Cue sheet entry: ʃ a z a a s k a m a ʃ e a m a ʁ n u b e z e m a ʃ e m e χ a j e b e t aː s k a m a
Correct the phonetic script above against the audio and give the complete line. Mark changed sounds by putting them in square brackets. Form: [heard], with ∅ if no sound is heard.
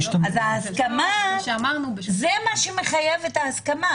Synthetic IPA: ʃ a z a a s k a m a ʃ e a m a ʁ n u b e z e m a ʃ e m e χ a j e [v] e t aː s k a m a